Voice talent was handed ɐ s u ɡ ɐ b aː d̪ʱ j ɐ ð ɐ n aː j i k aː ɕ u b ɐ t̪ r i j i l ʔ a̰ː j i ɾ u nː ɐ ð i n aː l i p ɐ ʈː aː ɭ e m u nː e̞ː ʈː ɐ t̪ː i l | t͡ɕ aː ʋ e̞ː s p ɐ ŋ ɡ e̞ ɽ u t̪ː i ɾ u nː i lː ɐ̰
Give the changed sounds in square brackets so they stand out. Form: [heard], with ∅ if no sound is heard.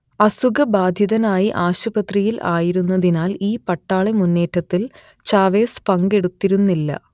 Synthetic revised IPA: ɐ s u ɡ ɐ b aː d̪ʱ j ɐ ð ɐ n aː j i [ʔ] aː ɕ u b ɐ t̪ r i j i l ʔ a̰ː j i ɾ u nː ɐ ð i n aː l [iː] p ɐ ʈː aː ɭ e m u nː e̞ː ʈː ɐ t̪ː i l | t͡ɕ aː ʋ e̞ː s p ɐ ŋ ɡ e̞ ɽ u t̪ː i ɾ u nː i lː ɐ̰